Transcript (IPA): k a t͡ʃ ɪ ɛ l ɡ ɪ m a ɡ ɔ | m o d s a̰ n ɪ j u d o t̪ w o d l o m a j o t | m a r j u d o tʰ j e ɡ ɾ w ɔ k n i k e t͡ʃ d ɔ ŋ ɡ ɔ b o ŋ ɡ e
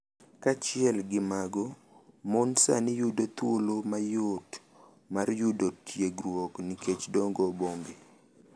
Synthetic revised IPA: k a t͡ʃ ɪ ɛ l ɡ ɪ m a ɡ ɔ | m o n s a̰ n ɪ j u d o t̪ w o l o m a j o t | m a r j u d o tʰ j e ɡ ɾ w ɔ k n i k e t͡ʃ d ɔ ŋ ɡ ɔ b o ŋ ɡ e